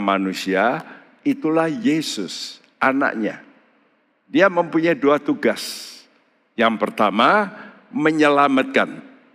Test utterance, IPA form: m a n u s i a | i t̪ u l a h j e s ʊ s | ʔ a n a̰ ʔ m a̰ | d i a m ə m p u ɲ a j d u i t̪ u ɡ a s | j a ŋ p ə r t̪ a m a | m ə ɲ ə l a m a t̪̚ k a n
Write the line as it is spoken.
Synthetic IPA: m a n u s i a | i t̪ u l a h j e s ʊ s | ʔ a n a̰ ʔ ɲ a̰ | d i a m ə m p u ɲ a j d u a t̪ u ɡ a s | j a ŋ p ə r t̪ a m a | m ə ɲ ə l a m a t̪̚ k a n